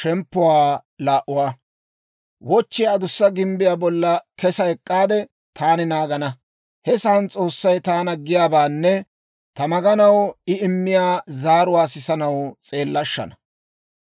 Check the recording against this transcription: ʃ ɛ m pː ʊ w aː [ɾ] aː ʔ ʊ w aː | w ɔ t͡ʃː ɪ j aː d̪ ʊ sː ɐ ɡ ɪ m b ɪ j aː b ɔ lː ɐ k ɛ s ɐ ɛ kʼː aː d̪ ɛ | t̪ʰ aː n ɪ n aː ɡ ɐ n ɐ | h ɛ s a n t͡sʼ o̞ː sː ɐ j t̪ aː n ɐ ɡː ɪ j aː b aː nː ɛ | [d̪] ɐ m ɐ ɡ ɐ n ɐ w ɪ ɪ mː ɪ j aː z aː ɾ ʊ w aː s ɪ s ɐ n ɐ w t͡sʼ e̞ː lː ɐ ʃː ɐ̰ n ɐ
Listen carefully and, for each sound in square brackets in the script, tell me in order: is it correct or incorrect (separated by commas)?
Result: incorrect, incorrect